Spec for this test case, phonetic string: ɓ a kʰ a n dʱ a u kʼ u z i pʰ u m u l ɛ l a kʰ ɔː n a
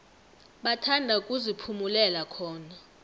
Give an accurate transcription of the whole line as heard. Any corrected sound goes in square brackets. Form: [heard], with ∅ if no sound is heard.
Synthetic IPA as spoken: ɓ a [tʰ] a n dʱ a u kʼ u z i pʰ u m u l ɛ l a kʰ ɔː n a

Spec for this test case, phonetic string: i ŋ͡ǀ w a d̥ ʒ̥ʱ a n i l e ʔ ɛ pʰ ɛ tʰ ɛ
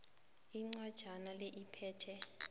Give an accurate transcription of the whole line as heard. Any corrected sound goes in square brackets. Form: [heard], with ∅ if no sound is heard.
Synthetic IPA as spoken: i ŋ͡ǀ w a d̥ ʒ̥ʱ a n [a] l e ʔ [i] pʰ [ɛː] tʰ ɛ

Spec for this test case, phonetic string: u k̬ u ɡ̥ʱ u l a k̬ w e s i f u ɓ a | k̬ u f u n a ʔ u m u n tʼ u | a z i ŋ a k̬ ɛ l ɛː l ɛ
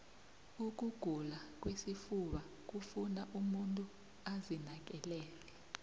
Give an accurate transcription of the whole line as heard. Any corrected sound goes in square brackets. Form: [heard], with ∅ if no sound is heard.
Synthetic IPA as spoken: u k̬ u ɡ̥ʱ u l a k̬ w e s i f u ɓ a | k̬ u f u n a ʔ u m u n tʼ u | a z i [n] a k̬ ɛ l ɛː l ɛ

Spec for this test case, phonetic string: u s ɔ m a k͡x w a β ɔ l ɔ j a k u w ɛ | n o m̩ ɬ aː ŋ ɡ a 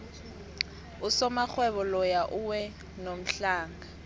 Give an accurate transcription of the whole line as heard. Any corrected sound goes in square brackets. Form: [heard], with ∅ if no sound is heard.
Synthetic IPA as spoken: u s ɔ m a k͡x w [ɛ] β ɔ l ɔ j a [ʔ] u w ɛ | n o m̩ ɬ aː ŋ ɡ a

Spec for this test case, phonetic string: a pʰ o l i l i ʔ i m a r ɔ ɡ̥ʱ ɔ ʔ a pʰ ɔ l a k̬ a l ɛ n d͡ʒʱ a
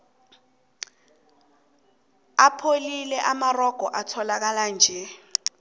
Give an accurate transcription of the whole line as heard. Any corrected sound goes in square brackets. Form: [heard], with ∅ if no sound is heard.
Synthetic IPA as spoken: a pʰ o l i l [ɛ] ʔ [a] m a r ɔ ɡ̥ʱ ɔ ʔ a [tʰ] ɔ l a k̬ a l [a] n d͡ʒʱ [ɛ]

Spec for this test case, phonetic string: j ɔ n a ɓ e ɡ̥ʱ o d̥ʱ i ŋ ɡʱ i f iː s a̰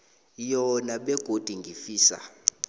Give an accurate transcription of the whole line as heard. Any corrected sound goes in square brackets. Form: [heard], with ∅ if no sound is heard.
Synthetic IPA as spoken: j ɔ n a ɓ [ɛ] ɡ̥ʱ o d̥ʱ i ŋ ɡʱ i f iː s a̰

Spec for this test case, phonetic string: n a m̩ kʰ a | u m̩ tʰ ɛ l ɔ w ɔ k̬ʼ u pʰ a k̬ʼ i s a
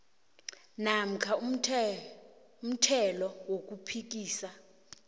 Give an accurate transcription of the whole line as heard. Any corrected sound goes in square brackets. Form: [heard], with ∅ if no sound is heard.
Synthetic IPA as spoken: n a m̩ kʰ a | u m̩ tʰ ɛ l ɔ w [o] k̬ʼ u pʰ [i] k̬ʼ [iː] s a

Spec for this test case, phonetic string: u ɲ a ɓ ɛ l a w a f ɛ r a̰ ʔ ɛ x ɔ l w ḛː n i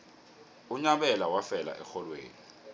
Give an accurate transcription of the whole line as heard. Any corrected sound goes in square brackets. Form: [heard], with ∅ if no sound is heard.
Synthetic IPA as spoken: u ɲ a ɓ ɛ l a w a f ɛ [l] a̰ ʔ ɛ x ɔ l w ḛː n i

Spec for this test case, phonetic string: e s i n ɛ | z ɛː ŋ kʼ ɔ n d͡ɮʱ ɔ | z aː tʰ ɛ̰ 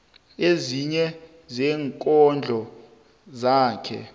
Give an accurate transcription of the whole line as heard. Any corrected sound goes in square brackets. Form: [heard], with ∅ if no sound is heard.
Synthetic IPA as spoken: e [z] i [ɲ] ɛ | z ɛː ŋ kʼ ɔ n d͡ɮʱ ɔ | z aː [kʰ] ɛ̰

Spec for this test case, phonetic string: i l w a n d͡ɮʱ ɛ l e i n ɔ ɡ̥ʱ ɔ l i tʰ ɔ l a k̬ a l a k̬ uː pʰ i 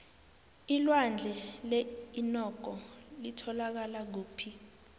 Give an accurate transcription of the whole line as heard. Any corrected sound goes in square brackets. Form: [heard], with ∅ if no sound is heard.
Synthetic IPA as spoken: i l w a n d͡ɮʱ ɛ l e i n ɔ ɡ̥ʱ ɔ l i tʰ ɔ l a k̬ a l a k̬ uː pʰ i

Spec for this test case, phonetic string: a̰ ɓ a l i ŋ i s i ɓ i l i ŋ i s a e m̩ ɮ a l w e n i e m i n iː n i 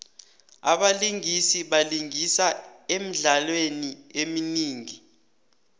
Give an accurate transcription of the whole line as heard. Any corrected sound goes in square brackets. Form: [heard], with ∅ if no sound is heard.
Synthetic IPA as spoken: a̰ ɓ a l i ŋ i s i ɓ [a] l i ŋ i s a e m̩ ɮ a l w e n i e m i n iː [ŋ] i

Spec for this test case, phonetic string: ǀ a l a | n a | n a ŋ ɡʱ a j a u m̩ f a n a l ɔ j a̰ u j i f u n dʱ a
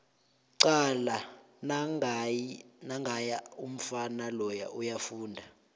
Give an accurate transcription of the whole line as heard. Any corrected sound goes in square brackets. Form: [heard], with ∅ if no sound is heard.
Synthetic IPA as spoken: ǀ a l a | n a | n a ŋ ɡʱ a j a u m̩ f a n a l ɔ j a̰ u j [a] f [uː] n dʱ a

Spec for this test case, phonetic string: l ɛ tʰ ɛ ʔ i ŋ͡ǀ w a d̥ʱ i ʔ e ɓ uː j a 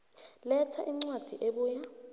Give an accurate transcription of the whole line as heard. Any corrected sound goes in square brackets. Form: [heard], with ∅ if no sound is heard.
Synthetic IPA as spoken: l ɛ tʰ [a] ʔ i ŋ͡ǀ w a d̥ʱ i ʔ e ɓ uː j a

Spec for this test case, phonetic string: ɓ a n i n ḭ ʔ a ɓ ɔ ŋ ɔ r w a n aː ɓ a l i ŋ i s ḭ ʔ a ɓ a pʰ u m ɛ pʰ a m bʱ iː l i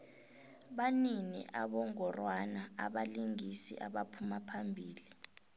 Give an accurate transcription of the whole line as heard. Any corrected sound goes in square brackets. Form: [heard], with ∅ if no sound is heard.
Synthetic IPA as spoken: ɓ a n i n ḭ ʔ a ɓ ɔ ŋ ɔ r w a n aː ɓ a l i ŋ i s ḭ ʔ a ɓ a pʰ u m [a] pʰ a m bʱ iː l i

